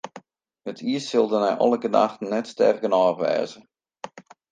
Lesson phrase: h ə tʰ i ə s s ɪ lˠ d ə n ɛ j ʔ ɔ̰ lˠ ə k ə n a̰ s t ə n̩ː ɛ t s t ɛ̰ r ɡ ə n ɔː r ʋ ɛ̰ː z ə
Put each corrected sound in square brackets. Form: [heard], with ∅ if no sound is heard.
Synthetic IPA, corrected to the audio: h ə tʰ i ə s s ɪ lˠ d ə n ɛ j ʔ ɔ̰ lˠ ə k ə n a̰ [x] t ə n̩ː ɛ t s t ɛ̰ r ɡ ə n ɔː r ʋ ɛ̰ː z ə

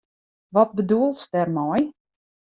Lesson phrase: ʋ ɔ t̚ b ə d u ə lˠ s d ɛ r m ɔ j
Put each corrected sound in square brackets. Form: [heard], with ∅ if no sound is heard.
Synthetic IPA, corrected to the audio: ʋ ɔ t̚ b ə d u ə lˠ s d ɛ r m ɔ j

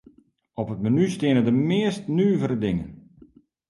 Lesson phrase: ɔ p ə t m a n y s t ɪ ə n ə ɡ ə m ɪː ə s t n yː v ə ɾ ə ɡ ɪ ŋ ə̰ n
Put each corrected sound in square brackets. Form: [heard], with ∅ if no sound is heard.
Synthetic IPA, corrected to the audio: ɔ p ə t m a n y s t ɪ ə n ə [d] ə m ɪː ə s t n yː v ə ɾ ə [d] ɪ ŋ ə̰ n

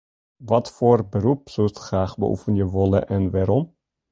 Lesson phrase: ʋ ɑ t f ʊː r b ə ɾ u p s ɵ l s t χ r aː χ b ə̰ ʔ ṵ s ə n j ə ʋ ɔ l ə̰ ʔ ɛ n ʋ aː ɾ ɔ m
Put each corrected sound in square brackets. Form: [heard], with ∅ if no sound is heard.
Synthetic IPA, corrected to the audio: ʋ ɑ t f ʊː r b ə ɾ u p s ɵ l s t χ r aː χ b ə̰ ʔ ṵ [f] ə n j ə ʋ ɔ l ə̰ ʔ ɛ n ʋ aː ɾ ɔ m

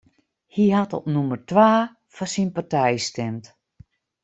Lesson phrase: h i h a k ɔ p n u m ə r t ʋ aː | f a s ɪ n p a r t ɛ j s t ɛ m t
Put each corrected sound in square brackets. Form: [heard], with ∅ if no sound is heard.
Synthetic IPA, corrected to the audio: h i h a [t] ɔ p n u m ə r t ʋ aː | f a s [i] n p a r t ɛ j s t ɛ m t

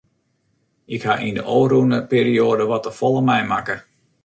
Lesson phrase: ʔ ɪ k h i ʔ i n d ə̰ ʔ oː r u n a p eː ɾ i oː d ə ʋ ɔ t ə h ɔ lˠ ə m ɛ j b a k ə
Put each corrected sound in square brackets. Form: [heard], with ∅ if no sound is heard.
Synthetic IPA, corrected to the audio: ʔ ɪ k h [a] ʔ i n d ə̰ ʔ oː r u n [ə] p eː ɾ i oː d ə ʋ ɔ t ə [f] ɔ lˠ ə m ɛ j [m] a k ə

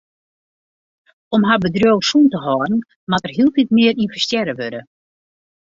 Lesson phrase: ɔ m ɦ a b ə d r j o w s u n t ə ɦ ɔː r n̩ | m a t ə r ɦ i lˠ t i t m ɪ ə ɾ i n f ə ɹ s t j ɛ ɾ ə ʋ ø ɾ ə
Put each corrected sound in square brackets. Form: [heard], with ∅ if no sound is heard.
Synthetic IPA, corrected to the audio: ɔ m ɦ a b ə d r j o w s u n t ə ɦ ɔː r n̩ | m a t ə r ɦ i lˠ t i t m ɪ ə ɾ i n f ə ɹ s t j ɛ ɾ ə ʋ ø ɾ ə

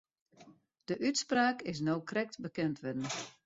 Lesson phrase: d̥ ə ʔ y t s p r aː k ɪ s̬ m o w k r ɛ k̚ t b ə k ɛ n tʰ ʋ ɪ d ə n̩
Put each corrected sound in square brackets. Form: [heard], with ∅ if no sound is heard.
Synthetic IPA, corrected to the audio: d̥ ə ʔ y t s p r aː k ɪ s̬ [n] o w k r ɛ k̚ t b ə k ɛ n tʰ ʋ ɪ d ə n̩

